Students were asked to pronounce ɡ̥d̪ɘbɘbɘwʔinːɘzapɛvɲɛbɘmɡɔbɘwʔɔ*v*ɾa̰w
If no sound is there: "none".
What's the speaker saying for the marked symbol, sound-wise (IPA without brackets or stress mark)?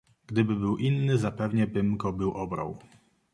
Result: b